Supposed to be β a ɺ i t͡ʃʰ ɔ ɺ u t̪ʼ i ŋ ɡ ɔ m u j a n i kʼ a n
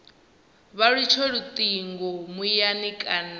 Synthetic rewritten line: β a ɺ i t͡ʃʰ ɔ ɺ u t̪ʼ i ŋ ɡ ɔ m u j a n i kʼ a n

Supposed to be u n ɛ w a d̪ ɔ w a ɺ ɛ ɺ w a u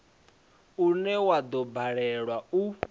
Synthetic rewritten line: u n ɛ w a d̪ ɔ b a ɺ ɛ ɺ w a u

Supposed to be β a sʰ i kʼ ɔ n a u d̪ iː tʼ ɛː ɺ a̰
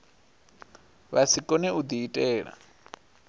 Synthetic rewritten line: β a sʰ i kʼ ɔ n ɛ u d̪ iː tʼ ɛː ɺ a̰

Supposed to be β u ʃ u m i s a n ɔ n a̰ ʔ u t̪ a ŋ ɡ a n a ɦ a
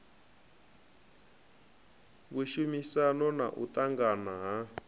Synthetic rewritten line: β u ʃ u m i s a n ɔ n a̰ ʔ u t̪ a ŋ ɡ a n a ɦ a

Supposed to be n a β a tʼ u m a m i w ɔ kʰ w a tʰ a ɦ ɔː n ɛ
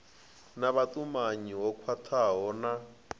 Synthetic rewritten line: n a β a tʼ u m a ɲ i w ɔ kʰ w a tʰ a ɦ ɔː n a

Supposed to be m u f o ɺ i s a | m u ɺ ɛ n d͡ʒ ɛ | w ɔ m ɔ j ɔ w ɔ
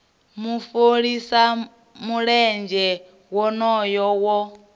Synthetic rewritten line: m u f o ɺ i s a | m u ɺ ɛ n d͡ʒ ɛ | w ɔ n ɔ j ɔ w ɔ

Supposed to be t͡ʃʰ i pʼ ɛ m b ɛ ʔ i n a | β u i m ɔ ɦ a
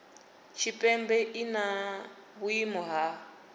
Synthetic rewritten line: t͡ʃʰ i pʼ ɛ m b ɛ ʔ i n a | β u i m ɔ ɦ a

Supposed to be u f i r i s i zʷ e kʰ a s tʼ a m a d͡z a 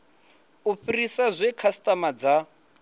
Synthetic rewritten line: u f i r i s a zʷ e kʰ a s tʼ a m a d͡z a

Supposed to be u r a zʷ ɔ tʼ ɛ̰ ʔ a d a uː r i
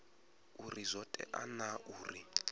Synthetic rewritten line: u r i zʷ ɔ tʼ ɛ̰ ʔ a n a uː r i

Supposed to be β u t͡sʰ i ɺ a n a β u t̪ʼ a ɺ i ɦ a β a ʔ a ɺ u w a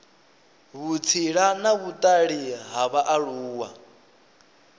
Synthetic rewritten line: β u t͡sʰ i ɺ a n a β u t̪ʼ a ɺ i ɦ a β a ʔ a ɺ uː w a

